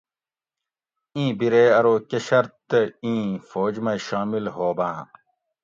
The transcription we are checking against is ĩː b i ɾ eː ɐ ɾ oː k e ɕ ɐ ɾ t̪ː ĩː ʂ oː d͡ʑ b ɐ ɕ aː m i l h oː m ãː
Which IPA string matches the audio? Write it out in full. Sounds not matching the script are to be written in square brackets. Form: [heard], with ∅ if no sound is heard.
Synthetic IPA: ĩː b i ɾ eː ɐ ɾ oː k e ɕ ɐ ɾ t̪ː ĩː [f] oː d͡ʑ [m] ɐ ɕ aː m i l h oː [b] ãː